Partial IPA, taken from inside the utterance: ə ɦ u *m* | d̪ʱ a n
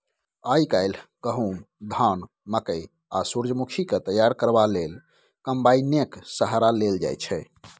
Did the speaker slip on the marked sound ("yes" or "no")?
no